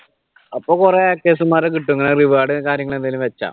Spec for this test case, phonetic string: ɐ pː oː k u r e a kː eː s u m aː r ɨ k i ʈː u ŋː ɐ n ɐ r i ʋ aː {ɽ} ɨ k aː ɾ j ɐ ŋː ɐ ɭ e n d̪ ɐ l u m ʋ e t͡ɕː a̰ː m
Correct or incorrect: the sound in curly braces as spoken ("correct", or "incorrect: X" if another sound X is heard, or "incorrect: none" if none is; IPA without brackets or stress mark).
correct